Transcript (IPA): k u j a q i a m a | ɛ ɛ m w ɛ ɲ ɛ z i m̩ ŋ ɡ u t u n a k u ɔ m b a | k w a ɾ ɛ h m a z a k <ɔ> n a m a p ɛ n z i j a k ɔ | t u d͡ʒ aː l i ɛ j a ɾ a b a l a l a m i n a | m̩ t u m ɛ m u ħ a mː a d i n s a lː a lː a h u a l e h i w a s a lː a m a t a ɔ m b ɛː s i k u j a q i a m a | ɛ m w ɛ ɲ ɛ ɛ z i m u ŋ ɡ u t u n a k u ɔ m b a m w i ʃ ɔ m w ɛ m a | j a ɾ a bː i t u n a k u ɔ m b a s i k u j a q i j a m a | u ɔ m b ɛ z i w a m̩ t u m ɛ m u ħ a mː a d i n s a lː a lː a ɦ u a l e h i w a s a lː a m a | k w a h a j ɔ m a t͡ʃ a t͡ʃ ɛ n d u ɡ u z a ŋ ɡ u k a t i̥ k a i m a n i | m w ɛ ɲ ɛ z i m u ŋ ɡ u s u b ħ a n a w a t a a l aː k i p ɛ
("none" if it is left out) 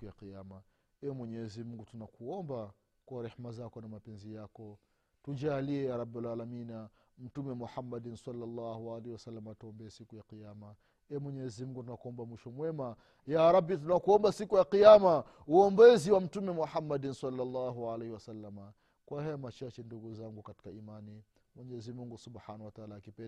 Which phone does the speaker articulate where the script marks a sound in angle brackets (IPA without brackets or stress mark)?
ɔ